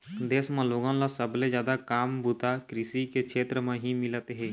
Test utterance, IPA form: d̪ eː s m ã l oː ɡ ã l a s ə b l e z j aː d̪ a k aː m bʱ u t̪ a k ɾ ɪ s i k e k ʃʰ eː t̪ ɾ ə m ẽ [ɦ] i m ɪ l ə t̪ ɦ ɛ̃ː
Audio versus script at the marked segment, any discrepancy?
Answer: no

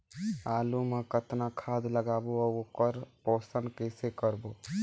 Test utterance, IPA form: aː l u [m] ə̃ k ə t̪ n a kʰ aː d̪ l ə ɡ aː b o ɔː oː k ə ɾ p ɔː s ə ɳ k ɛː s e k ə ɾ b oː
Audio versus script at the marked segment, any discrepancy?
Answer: no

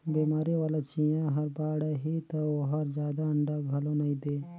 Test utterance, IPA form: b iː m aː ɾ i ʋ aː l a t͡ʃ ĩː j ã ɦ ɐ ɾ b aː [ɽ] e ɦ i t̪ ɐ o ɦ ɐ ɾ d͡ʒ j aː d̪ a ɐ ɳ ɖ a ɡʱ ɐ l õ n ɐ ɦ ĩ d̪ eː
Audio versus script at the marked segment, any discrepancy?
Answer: no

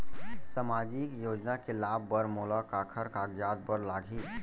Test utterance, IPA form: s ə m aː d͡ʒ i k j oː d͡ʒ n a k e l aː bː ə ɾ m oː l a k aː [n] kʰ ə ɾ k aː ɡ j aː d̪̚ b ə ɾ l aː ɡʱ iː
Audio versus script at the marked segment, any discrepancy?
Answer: yes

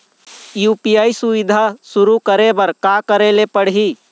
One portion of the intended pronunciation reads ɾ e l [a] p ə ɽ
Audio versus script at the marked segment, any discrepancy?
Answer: yes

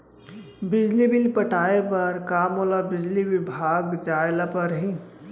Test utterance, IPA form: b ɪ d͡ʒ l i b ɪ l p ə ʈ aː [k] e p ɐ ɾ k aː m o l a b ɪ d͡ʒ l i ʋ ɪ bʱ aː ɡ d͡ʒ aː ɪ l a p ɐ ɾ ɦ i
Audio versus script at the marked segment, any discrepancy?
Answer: yes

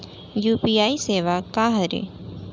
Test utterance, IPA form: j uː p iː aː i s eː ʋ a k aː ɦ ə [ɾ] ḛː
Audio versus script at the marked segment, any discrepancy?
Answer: no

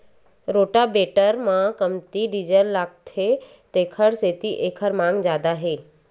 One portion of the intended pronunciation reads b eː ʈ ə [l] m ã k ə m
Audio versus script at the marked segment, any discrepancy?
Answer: yes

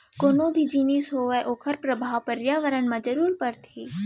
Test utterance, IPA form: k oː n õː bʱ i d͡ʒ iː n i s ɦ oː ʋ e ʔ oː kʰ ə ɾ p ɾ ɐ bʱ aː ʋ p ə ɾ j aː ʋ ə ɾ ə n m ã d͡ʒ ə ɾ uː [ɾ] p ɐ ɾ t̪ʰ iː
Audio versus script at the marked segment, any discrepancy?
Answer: no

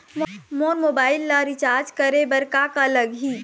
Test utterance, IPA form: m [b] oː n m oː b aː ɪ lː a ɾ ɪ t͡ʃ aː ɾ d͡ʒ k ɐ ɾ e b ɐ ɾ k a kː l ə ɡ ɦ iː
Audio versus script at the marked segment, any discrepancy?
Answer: yes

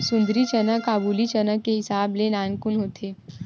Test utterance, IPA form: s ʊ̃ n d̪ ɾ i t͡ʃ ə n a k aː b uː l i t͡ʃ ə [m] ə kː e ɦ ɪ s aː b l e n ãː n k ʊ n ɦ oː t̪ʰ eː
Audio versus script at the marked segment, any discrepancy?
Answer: yes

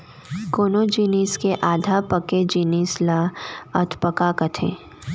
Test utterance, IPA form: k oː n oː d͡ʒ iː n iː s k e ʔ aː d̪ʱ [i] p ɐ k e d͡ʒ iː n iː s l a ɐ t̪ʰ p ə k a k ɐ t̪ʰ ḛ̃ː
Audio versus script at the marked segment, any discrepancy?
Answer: yes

